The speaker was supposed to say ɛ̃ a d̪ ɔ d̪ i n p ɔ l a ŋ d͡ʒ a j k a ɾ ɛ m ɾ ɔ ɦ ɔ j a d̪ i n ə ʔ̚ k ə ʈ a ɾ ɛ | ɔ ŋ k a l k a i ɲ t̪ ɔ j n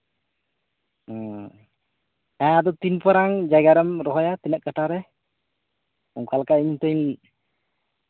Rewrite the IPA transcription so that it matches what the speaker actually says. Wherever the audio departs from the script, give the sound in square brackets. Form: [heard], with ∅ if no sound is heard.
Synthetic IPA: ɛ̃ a d̪ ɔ [t̪] i n p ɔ [ɾ] a ŋ d͡ʒ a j [ɡ] a ɾ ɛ m ɾ ɔ ɦ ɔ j a [t̪] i n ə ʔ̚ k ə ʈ a ɾ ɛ | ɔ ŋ k a l k a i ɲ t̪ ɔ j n